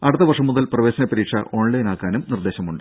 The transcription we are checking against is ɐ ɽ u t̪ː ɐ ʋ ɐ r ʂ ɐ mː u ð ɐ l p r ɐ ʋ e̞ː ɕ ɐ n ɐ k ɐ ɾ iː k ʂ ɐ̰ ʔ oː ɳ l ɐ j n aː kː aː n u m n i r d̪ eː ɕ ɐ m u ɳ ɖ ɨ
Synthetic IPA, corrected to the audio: ɐ ɽ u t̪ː ɐ ʋ ɐ r ʂ ɐ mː u ð ɐ l p r ɐ ʋ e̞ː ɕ ɐ n ɐ p ɐ ɾ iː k ʂ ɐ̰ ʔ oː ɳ l ɐ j n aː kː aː n u m n i r d̪ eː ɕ ɐ m u ɳ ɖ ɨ